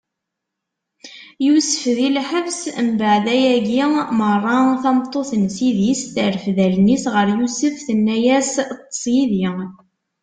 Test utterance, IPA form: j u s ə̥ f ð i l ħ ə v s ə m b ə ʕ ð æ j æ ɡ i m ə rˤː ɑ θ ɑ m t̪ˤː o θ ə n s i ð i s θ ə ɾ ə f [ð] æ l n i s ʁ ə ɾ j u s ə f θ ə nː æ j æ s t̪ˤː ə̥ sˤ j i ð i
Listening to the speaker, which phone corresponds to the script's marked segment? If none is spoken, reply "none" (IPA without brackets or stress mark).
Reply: ð